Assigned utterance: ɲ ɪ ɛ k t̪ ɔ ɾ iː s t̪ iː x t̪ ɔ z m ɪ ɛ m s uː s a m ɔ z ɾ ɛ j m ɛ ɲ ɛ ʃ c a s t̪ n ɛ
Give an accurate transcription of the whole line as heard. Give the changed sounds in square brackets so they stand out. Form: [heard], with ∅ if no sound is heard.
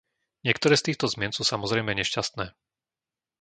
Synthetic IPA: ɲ ɪ ɛ k t̪ ɔ ɾ [ɛː] s t̪ iː x t̪ ɔ z m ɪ ɛ [n] s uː s a m ɔ z ɾ ɛ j m ɛ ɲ ɛ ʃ c a s t̪ n [ɛː]